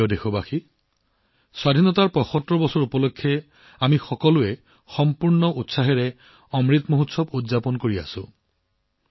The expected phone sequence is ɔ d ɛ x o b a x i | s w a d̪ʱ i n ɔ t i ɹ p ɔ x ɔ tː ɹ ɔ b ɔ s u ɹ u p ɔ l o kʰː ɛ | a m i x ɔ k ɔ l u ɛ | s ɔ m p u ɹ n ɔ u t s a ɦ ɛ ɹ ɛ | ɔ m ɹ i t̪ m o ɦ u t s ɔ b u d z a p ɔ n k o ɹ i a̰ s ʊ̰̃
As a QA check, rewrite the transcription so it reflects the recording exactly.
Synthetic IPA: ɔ d e x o b a x i | s w a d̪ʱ i n ɔ t a ɹ p ɔ x ɔ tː ɹ ɔ b ɔ s ɔ ɹ u p ɔ l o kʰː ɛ | a m i x ɔ k ɔ l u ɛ | x ɔ m p u ɹ n ɔ u t s a ɦ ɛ ɹ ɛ | ɔ m ɹ i t̪ m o ɦ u t s ɔ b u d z a p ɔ n k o ɹ i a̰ s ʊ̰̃

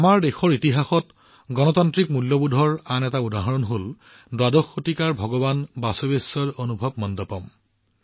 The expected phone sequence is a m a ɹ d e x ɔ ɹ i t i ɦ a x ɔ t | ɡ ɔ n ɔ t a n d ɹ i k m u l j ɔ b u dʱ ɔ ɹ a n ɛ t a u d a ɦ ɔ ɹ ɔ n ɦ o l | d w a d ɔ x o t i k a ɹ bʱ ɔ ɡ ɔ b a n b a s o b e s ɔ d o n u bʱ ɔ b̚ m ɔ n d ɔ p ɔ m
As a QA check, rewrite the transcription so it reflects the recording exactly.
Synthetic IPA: a m a ɹ d e x ɔ ɹ i t i ɦ a x ɔ t | ɡ ɔ n ɔ t a n t ɹ i k m u l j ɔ b u dʱ ɔ ɹ a n ɛ t a u d a ɦ ɔ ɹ ɔ n ɦ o l | d w a d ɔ x o t i k a ɹ bʱ ɔ ɡ ɔ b a n b a s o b e s ɔ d o n u bʱ ɔ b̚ m ɔ n d ɔ p ɔ m

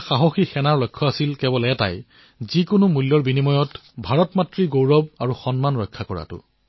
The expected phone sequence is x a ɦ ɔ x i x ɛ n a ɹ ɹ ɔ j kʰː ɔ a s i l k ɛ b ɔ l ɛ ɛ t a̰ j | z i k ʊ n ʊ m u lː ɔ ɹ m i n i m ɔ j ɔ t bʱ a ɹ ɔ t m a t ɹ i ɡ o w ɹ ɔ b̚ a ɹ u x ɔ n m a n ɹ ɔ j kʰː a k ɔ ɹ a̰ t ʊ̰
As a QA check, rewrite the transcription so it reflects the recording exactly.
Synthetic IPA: x a ɦ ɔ x i x ɛ n a ɹ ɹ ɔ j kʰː ɔ a s i l k ɛ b ɔ l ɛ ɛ t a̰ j | z i k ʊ n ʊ m u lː ɔ ɹ b i n i m ɔ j ɔ t bʱ a ɹ ɔ t m a t ɹ i ɡ o w ɹ ɔ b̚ a ɹ u x ɔ n m a n ɹ ɔ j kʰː a k ɔ ɹ a̰ t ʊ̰

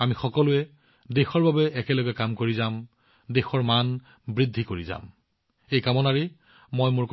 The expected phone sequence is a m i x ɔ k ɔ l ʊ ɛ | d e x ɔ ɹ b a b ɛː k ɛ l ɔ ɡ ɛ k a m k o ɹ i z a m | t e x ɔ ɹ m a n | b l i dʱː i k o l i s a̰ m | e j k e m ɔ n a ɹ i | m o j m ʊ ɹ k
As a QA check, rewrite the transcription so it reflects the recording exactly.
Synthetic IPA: a m i x ɔ k ɔ l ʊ ɛ | d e x ɔ ɹ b a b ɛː k ɛ l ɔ ɡ ɛ k a m k o ɹ i z a m | d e x ɔ ɹ m a n | b ɹ i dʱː i k o ɹ i z a̰ m | e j k a m ɔ n a ɹ i | m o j m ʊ ɹ k

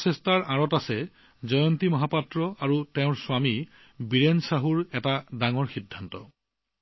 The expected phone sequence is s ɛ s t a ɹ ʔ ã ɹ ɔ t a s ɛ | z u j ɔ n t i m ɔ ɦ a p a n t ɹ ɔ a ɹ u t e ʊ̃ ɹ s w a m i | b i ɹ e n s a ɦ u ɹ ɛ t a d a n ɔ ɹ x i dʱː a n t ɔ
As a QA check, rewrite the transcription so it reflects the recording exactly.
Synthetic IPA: s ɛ s t a ɹ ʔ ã ɹ ɔ t a s ɛ | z ɔ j ɔ n t i m ɔ ɦ a p a t ɹ ɔ a ɹ u t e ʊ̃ ɹ s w a m i | b i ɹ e n s a ɦ u ɹ ɛ t a d a ŋ ɔ ɹ x i dʱː a n t ɔ

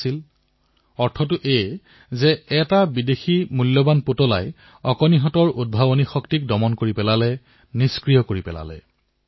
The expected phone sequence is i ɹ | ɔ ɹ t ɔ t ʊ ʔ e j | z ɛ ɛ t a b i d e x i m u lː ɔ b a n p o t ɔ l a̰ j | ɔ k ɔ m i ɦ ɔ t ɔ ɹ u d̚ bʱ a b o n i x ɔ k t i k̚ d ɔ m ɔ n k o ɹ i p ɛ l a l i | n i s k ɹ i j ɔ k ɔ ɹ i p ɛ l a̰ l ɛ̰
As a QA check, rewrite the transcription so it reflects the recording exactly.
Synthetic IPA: i l | ɔ ɹ tʰ ɔ t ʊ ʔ e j | z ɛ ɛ t a b i d e x i m u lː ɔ b a n p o t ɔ l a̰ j | ɔ k ɔ n i ɦ ɔ t ɔ ɹ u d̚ bʱ a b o n i x ɔ k t i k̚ d ɔ m ɔ n k o ɹ i p ɛ l a l ɛ | n i s k ɹ i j ɔ k o ɹ i p ɛ l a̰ l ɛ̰

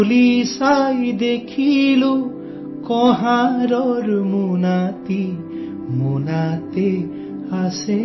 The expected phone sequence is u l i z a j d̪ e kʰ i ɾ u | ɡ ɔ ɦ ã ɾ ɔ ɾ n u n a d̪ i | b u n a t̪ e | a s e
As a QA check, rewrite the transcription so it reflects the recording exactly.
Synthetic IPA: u l i s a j d̪ e kʰ i l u | k ɔ ɦ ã ɾ ɔ ɾ m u n a t̪ i | m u n a t̪ e | a s e

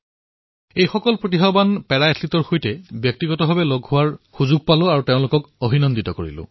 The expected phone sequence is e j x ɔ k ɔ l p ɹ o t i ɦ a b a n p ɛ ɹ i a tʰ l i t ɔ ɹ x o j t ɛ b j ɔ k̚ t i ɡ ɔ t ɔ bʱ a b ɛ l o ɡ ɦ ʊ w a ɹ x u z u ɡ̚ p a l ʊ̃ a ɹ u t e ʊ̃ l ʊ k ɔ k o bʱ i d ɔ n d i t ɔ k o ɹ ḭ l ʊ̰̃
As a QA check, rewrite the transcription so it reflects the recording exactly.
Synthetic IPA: e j x ɔ k ɔ l p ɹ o t i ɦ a b a n p ɛ ɹ a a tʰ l i t ɔ ɹ x o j t ɛ b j ɔ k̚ t i ɡ ɔ t ɔ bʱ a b ɛ l o ɡ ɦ ʊ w a ɹ x u z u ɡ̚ p a l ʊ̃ a ɹ u t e ʊ̃ l ʊ k ɔ k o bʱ i n ɔ n d i t ɔ k o ɹ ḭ l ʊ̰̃

